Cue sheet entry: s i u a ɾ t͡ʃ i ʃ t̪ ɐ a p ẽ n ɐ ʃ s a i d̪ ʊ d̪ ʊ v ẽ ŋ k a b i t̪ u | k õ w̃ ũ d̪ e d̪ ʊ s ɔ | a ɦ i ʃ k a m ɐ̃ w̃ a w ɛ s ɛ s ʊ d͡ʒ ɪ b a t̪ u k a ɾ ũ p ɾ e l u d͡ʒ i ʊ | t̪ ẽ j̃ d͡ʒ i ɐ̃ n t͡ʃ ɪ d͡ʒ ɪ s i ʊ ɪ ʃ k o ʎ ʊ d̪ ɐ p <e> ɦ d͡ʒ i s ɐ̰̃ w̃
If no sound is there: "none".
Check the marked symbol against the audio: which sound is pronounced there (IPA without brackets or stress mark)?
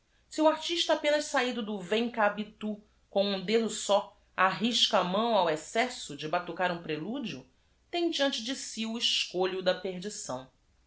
e